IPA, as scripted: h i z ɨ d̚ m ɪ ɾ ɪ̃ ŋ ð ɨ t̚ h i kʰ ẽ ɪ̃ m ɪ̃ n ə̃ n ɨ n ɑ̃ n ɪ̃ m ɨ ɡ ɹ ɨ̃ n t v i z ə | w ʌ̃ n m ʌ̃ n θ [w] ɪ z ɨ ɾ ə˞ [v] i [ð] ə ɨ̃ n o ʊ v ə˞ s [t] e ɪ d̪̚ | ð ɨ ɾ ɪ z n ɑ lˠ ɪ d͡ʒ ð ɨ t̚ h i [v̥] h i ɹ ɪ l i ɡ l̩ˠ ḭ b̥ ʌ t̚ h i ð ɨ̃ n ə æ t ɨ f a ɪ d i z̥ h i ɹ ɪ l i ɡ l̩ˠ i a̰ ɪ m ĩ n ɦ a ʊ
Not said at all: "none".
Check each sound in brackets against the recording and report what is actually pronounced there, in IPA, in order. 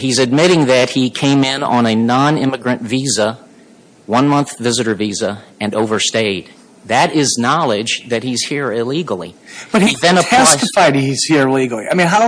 v, v, z, t, z̥

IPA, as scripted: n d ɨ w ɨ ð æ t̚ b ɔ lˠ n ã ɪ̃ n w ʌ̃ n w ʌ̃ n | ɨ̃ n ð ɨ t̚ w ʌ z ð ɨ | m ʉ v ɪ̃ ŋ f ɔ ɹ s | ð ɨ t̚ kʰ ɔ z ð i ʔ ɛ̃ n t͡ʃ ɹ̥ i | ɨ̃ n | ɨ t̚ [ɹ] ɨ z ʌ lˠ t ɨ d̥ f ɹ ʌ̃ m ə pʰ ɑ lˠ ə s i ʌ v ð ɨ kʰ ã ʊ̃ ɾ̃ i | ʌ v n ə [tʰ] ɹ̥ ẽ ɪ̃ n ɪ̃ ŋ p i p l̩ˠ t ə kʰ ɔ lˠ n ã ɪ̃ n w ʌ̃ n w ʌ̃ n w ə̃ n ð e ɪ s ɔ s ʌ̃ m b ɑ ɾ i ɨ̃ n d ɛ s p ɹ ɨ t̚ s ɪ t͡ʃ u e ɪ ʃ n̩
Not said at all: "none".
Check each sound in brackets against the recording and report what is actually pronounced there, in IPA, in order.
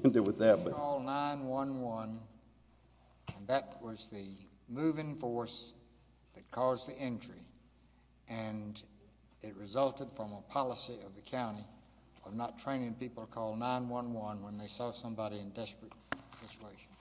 ɹ, tʰ

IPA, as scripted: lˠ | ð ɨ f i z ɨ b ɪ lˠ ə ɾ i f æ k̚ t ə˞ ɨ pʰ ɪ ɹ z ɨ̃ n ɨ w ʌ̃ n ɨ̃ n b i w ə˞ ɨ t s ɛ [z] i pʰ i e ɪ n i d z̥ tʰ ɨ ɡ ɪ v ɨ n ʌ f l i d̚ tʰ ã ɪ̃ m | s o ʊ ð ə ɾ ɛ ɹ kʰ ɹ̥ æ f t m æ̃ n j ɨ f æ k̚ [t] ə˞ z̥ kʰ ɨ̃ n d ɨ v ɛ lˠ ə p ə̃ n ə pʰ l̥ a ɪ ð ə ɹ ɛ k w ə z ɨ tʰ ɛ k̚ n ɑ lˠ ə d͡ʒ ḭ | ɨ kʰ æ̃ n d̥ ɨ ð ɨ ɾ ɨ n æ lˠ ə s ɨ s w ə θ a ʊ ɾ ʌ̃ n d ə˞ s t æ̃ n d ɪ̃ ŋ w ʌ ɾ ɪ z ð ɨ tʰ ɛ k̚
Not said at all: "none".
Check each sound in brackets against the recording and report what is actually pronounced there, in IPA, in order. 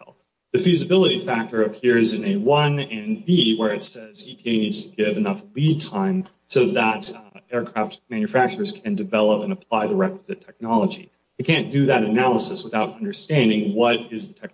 z, t͡ʃ

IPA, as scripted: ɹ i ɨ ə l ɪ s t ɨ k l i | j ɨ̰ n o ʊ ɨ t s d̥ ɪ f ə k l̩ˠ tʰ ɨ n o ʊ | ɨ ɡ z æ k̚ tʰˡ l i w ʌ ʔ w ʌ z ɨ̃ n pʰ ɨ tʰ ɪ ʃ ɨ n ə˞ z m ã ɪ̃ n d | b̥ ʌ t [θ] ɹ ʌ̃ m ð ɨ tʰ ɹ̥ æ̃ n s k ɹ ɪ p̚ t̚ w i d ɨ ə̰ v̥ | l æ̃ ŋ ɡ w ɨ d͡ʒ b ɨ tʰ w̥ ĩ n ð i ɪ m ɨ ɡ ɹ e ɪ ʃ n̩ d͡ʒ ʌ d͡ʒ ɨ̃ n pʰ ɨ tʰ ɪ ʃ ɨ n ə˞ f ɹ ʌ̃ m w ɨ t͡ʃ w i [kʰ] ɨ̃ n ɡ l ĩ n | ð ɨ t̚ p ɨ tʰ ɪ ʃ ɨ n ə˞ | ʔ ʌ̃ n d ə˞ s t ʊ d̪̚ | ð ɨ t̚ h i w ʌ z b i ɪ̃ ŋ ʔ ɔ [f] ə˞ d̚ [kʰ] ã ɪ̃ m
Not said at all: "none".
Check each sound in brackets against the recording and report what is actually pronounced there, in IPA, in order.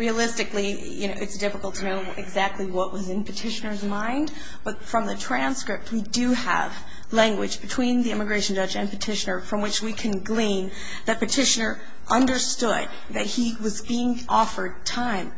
f, kʰ, f, tʰ

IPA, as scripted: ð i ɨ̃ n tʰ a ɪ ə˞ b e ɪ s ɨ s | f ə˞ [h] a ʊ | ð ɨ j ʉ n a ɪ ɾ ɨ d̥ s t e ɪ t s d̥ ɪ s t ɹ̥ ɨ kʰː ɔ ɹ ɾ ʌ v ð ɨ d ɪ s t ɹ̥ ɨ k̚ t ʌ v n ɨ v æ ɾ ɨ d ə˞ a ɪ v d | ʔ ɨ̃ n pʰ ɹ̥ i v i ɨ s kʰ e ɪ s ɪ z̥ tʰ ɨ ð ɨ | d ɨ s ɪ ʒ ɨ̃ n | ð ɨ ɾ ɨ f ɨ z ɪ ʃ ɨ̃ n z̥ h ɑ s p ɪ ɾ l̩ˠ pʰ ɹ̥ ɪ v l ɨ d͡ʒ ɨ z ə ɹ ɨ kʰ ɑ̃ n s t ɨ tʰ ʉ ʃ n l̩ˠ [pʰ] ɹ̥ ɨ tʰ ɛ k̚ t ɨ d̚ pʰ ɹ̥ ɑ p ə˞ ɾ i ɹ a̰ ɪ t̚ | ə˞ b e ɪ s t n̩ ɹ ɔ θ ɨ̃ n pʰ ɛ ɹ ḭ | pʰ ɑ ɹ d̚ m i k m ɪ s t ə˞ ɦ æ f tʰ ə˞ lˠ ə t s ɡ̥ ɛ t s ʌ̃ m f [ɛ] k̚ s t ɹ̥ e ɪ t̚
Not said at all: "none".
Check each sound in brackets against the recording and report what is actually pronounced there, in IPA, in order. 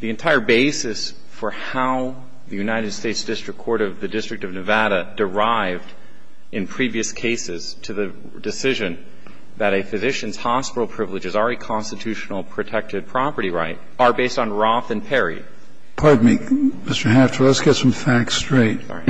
h, pʰ, æ

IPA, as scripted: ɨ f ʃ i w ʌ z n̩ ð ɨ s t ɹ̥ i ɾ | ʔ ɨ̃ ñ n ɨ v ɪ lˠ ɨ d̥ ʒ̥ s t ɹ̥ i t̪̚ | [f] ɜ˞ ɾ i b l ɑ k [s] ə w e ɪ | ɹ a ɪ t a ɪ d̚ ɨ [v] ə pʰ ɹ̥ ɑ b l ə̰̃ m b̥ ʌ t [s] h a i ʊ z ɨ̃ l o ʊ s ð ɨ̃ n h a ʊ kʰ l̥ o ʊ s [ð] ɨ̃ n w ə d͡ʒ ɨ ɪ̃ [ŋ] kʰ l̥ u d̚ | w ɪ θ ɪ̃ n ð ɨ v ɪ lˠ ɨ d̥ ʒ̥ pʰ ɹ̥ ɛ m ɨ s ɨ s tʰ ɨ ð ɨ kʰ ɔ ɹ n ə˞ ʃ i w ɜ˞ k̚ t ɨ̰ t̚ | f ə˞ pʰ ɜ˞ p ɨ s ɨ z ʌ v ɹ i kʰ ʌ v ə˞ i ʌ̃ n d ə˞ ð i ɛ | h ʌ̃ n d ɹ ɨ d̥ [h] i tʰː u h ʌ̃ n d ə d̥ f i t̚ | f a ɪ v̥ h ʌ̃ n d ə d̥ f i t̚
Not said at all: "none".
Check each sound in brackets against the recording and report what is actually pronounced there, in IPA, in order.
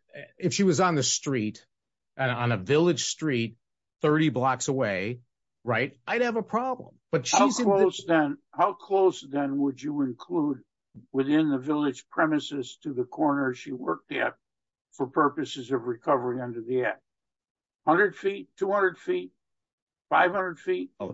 θ, s, v, ʃ, ð, n, f

